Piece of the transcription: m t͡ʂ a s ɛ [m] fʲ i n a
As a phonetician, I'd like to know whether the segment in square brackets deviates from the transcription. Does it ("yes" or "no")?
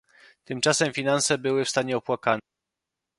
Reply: no